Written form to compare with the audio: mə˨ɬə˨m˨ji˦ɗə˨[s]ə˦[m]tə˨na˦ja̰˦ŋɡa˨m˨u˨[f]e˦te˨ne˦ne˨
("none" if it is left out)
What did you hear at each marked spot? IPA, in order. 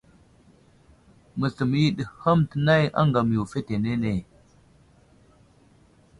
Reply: h, m, f

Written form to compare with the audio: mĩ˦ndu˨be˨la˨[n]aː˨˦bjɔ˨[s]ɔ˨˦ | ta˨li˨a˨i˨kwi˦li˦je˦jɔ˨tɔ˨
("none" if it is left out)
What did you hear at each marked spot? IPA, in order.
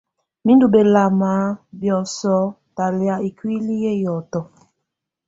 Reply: m, s

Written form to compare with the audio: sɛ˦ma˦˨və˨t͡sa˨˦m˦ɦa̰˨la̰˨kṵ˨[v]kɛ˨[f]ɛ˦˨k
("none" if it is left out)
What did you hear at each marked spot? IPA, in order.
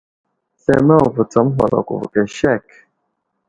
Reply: v, ʃ

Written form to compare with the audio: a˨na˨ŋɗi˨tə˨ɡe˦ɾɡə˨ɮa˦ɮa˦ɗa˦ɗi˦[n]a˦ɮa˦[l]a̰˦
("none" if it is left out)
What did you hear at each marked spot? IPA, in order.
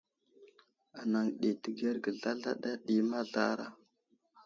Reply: m, ɾ

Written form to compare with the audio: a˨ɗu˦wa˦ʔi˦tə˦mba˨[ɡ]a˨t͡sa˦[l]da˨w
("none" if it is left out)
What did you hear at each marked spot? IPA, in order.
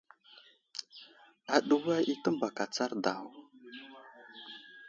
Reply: k, ɾ

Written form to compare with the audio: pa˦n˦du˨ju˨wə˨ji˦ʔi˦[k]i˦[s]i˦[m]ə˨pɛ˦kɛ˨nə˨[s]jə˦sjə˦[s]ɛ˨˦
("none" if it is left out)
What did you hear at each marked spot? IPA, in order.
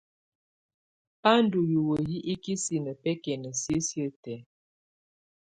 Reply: k, s, n, s, t

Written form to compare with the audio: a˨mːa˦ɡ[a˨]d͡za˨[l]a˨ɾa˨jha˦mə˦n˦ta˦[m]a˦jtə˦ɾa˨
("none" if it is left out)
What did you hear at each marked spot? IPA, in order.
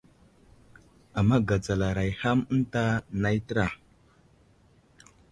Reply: a˨, l, n

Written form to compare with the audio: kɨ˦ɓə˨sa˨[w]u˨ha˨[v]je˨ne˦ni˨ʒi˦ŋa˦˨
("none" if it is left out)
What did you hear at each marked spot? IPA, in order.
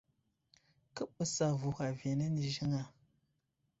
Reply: v, v

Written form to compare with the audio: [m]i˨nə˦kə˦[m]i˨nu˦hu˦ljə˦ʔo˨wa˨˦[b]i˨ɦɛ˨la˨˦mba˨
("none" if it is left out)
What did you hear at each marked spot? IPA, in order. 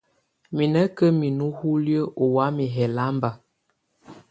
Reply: m, m, m

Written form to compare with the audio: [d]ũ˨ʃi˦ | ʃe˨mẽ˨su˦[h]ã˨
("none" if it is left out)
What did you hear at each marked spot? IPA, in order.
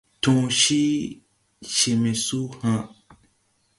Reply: t, h

